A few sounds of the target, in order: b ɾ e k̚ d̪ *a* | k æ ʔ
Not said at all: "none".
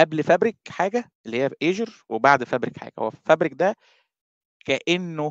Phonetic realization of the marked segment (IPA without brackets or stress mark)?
æ